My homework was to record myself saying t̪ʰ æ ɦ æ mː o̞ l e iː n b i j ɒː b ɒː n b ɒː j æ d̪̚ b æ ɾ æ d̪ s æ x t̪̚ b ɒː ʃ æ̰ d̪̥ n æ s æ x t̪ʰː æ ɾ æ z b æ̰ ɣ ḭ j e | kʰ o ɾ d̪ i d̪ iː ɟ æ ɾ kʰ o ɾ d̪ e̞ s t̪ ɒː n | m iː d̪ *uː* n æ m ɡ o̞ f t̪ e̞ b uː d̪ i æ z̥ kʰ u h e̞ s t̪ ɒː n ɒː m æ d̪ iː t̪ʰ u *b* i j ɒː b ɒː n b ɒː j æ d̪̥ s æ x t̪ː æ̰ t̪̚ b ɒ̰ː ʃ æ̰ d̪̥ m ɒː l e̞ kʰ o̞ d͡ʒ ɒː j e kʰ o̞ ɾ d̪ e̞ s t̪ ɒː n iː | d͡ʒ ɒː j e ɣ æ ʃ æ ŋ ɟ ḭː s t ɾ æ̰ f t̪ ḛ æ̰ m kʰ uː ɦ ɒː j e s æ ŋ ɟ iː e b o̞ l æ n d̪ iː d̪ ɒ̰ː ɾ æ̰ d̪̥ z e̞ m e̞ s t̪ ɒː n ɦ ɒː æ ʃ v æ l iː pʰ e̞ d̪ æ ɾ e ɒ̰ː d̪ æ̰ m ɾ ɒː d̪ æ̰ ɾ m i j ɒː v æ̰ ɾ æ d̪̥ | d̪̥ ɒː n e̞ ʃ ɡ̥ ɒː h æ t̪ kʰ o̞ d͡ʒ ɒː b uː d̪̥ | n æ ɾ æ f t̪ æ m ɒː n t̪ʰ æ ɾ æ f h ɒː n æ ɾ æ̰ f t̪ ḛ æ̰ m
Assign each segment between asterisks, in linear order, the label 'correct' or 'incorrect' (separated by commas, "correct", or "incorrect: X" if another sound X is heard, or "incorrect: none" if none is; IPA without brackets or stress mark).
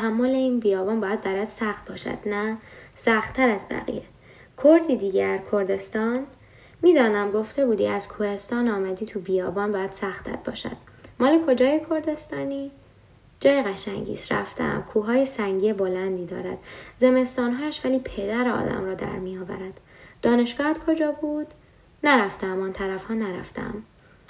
incorrect: ɒː, correct